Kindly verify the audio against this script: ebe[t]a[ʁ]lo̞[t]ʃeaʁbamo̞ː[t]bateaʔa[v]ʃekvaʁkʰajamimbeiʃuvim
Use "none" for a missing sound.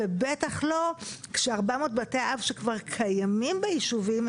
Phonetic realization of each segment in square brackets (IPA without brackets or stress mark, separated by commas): t, χ, k, t, v